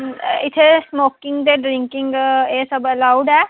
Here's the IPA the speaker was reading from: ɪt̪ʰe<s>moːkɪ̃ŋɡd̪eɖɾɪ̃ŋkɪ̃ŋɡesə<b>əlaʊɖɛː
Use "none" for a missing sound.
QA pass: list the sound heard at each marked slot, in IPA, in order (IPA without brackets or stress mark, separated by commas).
s, b